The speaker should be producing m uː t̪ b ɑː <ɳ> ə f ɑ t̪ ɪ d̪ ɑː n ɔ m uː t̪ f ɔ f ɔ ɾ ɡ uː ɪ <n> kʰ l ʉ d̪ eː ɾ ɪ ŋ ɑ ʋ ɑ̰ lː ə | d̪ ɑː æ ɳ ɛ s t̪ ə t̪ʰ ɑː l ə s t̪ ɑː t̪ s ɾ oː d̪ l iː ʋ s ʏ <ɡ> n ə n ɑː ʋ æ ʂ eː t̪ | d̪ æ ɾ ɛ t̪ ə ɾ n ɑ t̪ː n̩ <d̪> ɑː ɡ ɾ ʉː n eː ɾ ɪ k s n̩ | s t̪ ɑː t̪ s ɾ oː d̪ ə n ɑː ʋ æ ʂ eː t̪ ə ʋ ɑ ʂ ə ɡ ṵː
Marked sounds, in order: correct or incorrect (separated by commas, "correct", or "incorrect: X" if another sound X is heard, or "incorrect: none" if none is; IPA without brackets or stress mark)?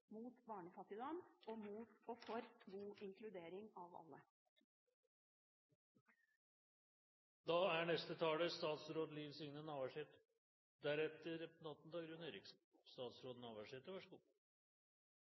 correct, incorrect: ŋ, incorrect: ŋ, correct